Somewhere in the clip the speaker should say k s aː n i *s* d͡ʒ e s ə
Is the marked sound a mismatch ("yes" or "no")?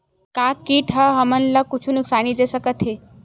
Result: yes